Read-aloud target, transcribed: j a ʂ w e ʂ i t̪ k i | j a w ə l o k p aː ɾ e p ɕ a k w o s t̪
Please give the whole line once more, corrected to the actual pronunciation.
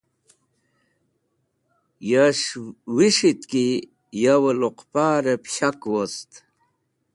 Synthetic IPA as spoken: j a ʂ w i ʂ i t̪ k i | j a w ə l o q p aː ɾ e p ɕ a k w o s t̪

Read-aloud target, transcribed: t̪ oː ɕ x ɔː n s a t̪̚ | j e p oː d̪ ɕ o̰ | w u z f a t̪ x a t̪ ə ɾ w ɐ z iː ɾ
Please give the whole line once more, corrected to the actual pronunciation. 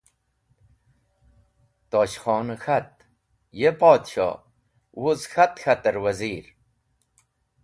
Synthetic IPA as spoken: t̪ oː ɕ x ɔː n x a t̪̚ | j e p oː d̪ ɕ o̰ | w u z x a t̪ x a t̪ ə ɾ w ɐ z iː ɾ

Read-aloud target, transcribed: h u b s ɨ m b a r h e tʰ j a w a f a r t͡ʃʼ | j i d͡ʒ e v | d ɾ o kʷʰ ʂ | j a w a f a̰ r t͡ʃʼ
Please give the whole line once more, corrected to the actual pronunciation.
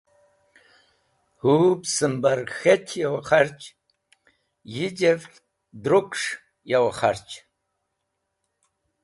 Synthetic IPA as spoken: h u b s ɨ m b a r x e tʰ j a w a χ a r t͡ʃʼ | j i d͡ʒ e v | d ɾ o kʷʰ ʂ | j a w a χ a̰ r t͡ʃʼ

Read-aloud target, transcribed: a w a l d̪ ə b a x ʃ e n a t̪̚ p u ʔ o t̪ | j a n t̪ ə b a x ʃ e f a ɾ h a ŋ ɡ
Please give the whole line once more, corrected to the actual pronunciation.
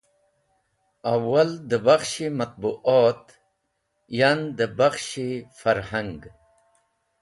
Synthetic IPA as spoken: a w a l d̪ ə b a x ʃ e m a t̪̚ b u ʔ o t̪ | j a n d̪ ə b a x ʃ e f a ɾ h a ŋ ɡ

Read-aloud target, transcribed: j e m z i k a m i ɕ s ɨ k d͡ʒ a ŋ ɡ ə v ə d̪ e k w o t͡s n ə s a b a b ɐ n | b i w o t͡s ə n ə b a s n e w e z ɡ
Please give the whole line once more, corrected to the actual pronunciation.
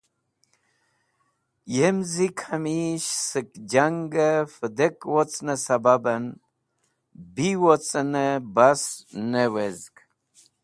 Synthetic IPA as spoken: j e m z i kʰ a m i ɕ s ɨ k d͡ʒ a ŋ ɡ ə f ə d̪ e k w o t͡s n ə s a b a b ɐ n | b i w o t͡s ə n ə b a s n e w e z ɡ

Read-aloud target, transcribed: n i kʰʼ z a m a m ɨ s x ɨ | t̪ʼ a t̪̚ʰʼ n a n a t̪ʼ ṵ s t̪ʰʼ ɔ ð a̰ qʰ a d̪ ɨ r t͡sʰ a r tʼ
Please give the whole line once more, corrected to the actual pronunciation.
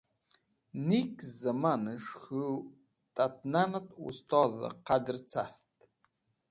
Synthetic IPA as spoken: n i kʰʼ z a m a n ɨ ʂ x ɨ | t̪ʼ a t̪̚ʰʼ n a n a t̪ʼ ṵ s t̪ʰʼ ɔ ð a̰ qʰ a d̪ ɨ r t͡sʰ a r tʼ

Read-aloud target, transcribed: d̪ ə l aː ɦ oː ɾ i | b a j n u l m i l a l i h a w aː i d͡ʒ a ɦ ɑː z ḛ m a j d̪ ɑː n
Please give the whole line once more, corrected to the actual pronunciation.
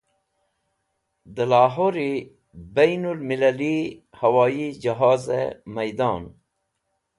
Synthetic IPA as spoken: d̪ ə l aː ɦ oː ɾ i | b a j n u l m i l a l i h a w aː i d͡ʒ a ɦ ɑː z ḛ m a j d̪ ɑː n

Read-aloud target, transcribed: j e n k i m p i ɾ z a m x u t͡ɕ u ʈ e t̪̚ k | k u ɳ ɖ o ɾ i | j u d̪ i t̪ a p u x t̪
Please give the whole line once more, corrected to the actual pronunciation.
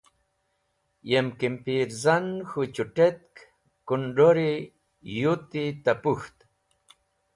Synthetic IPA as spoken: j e m k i m p i ɾ z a n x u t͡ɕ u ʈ e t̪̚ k | k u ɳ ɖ o ɾ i | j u t̪ i t̪ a p u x t̪

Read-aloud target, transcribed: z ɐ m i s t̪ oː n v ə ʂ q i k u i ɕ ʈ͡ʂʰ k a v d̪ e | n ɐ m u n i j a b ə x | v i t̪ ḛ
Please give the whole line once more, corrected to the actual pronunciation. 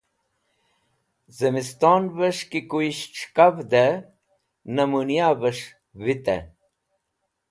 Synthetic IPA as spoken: z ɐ m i s t̪ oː n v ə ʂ k i k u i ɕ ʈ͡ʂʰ k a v d̪ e | n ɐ m u n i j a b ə ʂ | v i t̪ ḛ

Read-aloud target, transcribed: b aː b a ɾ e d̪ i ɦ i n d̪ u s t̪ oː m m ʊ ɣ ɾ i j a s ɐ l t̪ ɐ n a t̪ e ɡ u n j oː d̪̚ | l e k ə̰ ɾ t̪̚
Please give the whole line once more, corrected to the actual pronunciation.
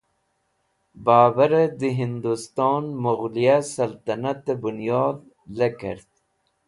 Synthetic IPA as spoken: b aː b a ɾ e d̪ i ɦ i n d̪ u s t̪ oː n m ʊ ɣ l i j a s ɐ l t̪ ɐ n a t̪ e b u n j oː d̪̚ | l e k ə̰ ɾ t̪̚

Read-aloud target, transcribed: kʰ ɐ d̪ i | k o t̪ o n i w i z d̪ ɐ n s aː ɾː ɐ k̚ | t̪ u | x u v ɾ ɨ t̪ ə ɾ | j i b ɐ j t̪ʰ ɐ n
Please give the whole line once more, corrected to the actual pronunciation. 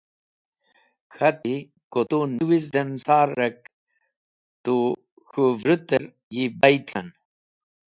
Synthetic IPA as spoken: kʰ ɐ t̪ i | k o t̪ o n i w i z d̪ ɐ n s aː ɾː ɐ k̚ | t̪ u | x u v ɾ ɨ t̪ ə ɾ | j i b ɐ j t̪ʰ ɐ n

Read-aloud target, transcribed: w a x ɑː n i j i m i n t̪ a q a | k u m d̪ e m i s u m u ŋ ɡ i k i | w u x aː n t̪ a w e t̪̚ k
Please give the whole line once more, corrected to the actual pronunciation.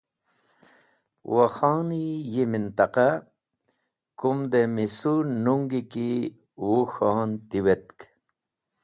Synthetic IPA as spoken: w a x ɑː n i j i m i n t̪ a q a | k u m d̪ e m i s u n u ŋ ɡ i k i | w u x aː n t̪ i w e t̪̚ k

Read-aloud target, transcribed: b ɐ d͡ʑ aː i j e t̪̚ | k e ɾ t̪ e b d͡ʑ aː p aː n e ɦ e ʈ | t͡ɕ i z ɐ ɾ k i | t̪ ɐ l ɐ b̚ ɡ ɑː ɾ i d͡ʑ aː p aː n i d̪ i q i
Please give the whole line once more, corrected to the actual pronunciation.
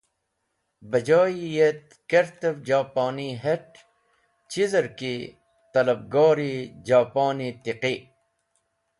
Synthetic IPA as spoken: b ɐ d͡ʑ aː i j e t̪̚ | k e ɾ t̪ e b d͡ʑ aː p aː n i ɦ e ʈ | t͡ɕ i z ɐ ɾ k i | t̪ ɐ l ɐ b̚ ɡ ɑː ɾ i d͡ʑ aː p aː n i t̪ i q i

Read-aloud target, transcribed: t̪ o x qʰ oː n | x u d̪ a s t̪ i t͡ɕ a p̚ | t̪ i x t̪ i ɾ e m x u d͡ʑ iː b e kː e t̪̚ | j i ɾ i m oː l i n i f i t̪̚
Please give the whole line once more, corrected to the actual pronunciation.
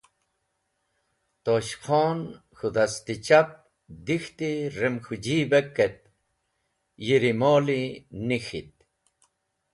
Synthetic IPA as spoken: t̪ o ɕ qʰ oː n | x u d̪ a s t̪ i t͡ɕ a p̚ | d̪ i x t̪ i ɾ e m x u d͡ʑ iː b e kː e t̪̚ | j i ɾ i m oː l i n i x i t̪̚

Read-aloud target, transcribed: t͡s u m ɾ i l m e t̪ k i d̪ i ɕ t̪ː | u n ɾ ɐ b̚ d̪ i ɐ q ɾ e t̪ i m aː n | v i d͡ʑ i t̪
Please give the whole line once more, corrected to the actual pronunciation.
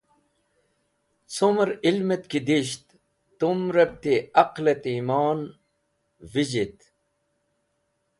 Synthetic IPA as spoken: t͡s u m ɾ i l m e t̪ k i d̪ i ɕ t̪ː | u m ɾ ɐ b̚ t̪ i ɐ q l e t̪ i m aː n | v i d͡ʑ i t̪

